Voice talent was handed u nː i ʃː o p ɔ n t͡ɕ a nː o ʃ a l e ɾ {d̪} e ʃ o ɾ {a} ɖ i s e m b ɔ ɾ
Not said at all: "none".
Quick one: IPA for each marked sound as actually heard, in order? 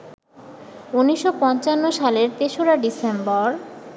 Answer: t̪, a

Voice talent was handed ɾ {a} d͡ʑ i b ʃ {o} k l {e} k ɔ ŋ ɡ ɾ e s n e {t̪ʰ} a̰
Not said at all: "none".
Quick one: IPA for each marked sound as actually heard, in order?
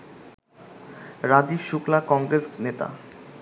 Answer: a, u, a, t̪

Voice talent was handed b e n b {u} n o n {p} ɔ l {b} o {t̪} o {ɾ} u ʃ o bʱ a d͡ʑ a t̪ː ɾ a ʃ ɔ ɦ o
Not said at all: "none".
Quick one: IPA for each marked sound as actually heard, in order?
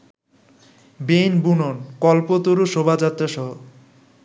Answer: u, k, p, t̪, ɾ

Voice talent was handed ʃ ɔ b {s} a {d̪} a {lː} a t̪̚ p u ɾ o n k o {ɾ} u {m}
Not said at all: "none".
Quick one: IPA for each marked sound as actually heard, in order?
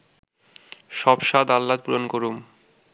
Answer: ʃ, d̪, lː, ɾ, m

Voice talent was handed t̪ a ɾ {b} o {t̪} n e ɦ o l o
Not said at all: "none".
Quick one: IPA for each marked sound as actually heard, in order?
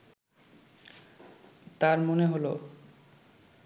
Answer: m, none

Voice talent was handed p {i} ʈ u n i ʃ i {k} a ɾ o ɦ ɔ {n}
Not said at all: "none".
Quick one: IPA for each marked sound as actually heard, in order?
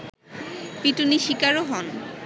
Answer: i, k, n

